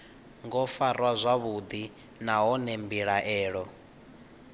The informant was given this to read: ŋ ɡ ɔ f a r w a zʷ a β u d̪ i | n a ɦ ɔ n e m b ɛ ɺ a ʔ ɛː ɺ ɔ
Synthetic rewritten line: ŋ ɡ ɔ f a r w a zʷ a β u d̪ i | n a ɦ ɔ n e m b i ɺ a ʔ ɛː ɺ ɔ